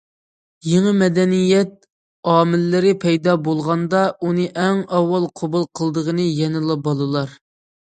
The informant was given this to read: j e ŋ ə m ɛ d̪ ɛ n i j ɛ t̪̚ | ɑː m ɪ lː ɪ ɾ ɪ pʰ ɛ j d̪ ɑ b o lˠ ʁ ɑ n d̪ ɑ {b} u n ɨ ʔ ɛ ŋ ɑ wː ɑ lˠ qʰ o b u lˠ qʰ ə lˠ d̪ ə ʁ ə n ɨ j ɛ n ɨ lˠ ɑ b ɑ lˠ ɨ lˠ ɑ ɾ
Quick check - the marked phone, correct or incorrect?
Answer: incorrect